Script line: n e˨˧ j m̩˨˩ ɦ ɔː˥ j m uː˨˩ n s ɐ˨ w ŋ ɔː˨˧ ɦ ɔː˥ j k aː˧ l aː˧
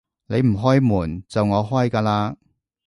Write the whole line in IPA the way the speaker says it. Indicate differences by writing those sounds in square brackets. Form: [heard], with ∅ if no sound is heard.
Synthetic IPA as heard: n e˨˧ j m̩˨˩ ɦ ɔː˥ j m uː˨˩ n [t͡s] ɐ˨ w ŋ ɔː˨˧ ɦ ɔː˥ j k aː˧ l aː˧